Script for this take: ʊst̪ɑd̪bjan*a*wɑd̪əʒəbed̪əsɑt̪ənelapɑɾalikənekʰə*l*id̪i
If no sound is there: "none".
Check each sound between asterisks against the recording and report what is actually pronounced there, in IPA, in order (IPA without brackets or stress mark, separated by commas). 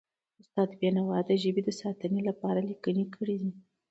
a, ɽ